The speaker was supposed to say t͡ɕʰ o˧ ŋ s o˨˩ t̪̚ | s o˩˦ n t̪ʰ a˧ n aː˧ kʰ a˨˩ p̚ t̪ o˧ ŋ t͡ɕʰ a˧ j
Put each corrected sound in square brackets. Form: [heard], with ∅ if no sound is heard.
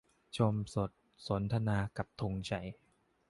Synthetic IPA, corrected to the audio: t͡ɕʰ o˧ [m] s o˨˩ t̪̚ | s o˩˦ n t̪ʰ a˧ n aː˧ [k] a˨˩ p̚ [t̪ʰ] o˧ ŋ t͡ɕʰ [a˨˩] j